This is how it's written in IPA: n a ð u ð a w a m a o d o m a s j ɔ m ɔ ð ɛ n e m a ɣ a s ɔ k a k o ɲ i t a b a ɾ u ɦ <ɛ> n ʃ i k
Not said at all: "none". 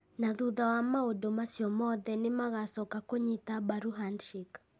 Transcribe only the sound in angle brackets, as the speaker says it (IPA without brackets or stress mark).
a